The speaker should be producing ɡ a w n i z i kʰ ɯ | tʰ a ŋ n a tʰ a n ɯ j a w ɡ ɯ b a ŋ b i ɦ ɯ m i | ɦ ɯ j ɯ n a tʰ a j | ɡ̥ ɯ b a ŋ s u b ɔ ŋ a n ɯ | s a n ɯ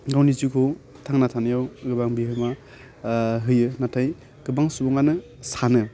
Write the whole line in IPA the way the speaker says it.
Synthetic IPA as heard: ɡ a w n i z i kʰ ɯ | tʰ a ŋ n a tʰ a n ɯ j a w ɡ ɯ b a ŋ b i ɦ ɯ m a | ɦ ɯ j ɯ n a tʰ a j | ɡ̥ ɯ b a ŋ s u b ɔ ŋ a n ɯ | s a n ɯ